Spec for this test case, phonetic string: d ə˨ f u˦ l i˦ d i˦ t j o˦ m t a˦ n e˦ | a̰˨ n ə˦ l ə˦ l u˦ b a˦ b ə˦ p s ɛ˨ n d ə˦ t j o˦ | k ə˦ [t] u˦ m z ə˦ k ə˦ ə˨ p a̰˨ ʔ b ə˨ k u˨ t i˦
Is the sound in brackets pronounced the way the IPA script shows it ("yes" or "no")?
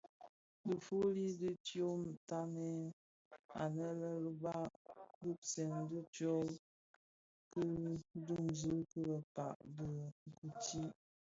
no